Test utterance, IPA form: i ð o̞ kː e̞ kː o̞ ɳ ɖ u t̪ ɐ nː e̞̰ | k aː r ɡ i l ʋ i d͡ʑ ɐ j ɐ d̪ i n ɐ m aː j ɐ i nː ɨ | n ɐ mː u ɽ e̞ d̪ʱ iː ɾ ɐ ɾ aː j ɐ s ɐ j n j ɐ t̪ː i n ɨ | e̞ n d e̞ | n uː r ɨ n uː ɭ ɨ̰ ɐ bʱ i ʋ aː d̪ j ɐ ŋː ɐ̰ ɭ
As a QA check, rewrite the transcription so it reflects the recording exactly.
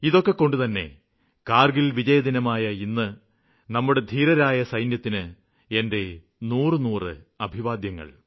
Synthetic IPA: i ð o̞ kː e̞ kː o̞ ɳ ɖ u t̪ ɐ nː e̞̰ | k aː r ɡ i l ʋ i d͡ʑ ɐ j ɐ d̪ i n ɐ m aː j ɐ i nː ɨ | n ɐ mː u ɽ e̞ d̪ʱ iː ɾ ɐ ɾ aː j ɐ s ɐ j n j ɐ t̪ː i n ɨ | e̞ n d e̞ | n uː r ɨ n uː r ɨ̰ ɐ bʱ i ʋ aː d̪ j ɐ ŋː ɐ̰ ɭ